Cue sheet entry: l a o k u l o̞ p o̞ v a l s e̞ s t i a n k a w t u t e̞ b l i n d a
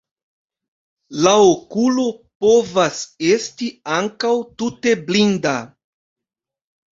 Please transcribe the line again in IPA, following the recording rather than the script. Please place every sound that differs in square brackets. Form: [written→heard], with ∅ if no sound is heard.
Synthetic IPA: l a o k u l o̞ p o̞ v a [l→∅] s e̞ s t i a [n→ŋ] k a w t u t e̞ b l i n d a